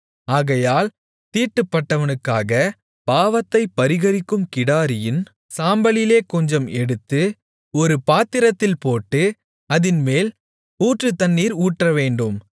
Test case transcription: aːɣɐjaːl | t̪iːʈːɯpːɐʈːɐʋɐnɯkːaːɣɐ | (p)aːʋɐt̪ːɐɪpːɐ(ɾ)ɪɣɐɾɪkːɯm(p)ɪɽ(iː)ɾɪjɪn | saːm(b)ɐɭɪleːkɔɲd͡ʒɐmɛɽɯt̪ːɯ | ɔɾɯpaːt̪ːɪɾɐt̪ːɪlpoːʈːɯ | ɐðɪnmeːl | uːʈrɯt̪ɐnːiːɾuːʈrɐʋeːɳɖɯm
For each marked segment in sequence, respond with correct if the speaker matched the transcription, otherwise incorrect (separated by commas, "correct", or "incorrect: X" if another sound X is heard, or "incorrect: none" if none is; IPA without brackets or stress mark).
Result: correct, correct, incorrect: k, incorrect: aː, correct